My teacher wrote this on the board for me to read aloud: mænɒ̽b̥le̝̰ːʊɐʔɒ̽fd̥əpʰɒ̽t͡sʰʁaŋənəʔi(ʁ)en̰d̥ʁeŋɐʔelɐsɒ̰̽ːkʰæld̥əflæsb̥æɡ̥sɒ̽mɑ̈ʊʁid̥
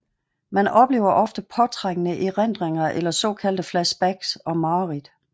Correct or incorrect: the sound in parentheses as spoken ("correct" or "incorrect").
correct